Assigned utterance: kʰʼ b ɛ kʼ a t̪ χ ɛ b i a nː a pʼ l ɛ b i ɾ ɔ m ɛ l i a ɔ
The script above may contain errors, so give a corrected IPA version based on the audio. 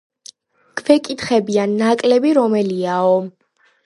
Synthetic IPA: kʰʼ v ɛ kʼ i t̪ χ ɛ b i a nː a kʼ l ɛ b i ɾ ɔ m ɛ l i a ɔ